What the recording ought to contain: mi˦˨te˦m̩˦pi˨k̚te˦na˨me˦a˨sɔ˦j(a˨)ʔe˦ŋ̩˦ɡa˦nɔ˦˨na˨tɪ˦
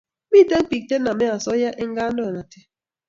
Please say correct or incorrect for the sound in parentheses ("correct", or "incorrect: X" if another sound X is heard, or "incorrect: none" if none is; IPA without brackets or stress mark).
incorrect: a˦